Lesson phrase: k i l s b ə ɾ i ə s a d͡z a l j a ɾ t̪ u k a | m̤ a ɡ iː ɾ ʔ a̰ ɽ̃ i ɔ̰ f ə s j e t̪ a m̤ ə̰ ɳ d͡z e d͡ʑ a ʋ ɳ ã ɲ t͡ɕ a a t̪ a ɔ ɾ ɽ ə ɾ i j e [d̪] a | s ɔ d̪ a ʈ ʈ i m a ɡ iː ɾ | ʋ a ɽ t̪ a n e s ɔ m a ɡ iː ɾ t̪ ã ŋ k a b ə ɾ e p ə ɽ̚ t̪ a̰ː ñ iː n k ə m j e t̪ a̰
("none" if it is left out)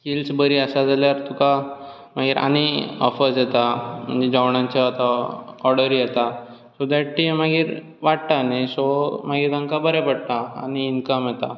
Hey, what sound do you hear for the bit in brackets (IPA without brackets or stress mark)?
t̪